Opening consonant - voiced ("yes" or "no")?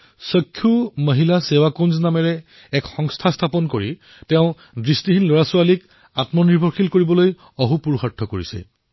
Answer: no